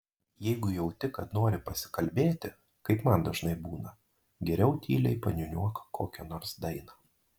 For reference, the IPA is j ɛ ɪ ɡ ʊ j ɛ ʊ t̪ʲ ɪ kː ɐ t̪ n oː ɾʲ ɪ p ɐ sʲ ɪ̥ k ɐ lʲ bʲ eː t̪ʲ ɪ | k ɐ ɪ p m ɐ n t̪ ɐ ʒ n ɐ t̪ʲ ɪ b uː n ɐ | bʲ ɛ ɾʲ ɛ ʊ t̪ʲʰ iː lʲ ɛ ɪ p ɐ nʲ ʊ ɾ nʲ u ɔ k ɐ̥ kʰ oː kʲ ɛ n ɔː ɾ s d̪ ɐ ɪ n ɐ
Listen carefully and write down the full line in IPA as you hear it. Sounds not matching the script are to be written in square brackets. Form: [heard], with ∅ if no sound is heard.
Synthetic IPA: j ɛ ɪ ɡ ʊ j ɛ ʊ t̪ʲ ɪ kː ɐ t̪ n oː ɾʲ ɪ p ɐ sʲ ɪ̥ k ɐ lʲ bʲ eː t̪ʲ ɪ | k ɐ ɪ p m ɐ n [d̪] ɐ ʒ n ɐ [∅] ɪ b uː n ɐ | [ɡʲ] ɛ ɾʲ ɛ ʊ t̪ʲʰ iː lʲ ɛ ɪ p ɐ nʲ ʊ [∅] nʲ u ɔ k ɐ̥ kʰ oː kʲ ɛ n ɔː ɾ s d̪ ɐ ɪ n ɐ

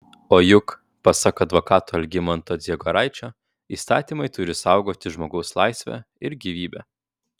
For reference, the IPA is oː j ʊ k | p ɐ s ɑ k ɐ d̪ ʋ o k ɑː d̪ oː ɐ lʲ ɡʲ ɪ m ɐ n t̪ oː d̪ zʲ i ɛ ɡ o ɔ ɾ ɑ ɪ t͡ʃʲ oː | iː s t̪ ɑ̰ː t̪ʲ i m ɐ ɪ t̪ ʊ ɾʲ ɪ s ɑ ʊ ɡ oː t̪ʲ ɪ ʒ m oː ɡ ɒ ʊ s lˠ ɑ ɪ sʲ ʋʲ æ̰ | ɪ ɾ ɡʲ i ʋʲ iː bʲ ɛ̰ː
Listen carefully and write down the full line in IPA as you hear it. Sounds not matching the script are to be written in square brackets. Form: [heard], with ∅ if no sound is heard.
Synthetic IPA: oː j ʊ k | p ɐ s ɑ k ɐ d̪ ʋ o k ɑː [t̪] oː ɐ lʲ ɡʲ ɪ m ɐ n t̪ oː d̪ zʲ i ɛ ɡ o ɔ ɾ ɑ ɪ t͡ʃʲ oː | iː s t̪ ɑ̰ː t̪ʲ i m ɐ ɪ t̪ ʊ ɾʲ ɪ s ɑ ʊ ɡ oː t̪ʲ ɪ ʒ m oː ɡ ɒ ʊ s lˠ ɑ ɪ sʲ ʋʲ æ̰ | ɪ ɾ ɡʲ i ʋʲ iː bʲ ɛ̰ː

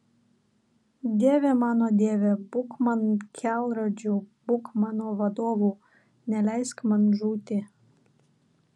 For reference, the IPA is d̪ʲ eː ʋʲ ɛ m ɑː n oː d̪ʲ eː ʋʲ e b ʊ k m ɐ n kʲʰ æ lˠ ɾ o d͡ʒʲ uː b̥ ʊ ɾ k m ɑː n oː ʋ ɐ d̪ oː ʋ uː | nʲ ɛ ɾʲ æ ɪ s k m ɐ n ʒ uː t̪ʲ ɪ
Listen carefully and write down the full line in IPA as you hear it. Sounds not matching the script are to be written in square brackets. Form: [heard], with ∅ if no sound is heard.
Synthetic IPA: d̪ʲ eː ʋʲ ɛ m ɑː n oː d̪ʲ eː ʋʲ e b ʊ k m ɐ n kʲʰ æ lˠ ɾ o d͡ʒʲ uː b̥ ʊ [∅] k m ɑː n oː ʋ ɐ d̪ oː ʋ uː | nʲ ɛ [lʲ] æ ɪ s k m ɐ n ʒ uː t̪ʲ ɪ

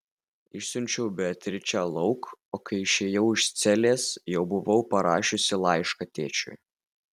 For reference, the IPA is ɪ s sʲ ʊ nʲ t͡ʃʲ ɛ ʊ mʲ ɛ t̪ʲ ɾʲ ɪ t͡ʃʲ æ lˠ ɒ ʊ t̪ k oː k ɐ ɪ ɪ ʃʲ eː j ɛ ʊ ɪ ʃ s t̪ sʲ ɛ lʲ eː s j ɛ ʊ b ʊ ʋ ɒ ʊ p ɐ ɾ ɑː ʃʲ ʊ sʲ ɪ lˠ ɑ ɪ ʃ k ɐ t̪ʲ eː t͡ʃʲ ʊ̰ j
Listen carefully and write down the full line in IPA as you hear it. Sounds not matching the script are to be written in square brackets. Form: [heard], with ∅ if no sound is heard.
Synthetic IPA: ɪ [ʃ] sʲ ʊ nʲ t͡ʃʲ ɛ ʊ [bʲ] ɛ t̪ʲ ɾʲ ɪ t͡ʃʲ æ lˠ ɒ ʊ [∅] k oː k ɐ ɪ ɪ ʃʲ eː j ɛ ʊ ɪ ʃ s t̪ sʲ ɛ lʲ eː s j ɛ ʊ b ʊ ʋ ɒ ʊ p ɐ ɾ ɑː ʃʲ ʊ sʲ ɪ lˠ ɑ ɪ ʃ k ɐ t̪ʲ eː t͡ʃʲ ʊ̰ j

